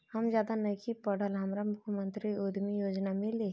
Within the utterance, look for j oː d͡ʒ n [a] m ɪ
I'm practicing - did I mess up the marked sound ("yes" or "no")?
no